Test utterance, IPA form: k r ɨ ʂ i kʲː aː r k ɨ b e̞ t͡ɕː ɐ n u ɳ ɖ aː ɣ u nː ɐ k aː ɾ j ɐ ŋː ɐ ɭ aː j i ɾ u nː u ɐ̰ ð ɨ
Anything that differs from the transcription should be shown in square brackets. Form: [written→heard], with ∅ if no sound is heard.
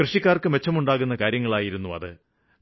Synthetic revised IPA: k r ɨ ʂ i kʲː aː r k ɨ [b→m] e̞ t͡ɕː ɐ [n→m] u ɳ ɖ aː ɣ u nː ɐ k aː ɾ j ɐ ŋː ɐ ɭ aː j i ɾ u nː u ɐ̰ ð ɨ